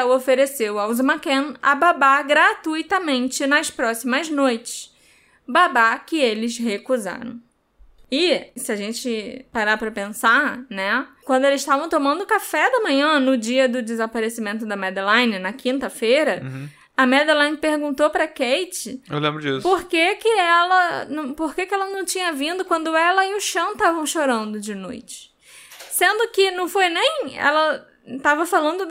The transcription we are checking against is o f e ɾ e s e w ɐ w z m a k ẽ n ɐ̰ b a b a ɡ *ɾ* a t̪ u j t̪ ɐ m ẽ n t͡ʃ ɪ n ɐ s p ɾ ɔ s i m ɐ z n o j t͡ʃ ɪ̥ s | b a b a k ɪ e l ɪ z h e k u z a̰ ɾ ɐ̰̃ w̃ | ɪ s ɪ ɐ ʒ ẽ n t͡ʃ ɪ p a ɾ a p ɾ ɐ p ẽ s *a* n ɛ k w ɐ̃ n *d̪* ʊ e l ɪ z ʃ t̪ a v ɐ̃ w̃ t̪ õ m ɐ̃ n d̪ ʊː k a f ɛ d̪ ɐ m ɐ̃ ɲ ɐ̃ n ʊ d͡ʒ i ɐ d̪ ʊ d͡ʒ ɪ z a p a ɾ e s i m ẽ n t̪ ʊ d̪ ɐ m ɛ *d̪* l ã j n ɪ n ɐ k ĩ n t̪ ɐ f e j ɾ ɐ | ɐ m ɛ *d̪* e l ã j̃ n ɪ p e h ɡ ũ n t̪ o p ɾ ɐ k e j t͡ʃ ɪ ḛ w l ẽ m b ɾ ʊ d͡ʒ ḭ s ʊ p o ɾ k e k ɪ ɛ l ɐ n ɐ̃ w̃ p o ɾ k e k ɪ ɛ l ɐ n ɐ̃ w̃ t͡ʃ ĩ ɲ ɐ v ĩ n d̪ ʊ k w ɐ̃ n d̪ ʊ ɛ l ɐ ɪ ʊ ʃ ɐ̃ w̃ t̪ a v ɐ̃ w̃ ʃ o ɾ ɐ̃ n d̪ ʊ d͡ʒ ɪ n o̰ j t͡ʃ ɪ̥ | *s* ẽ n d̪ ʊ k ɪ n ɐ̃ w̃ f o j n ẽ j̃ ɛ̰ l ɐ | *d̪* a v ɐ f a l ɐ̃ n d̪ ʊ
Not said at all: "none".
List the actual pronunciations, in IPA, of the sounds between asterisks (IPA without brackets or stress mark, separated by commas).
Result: ɾ, a, d̪, d̪, d̪, s, t̪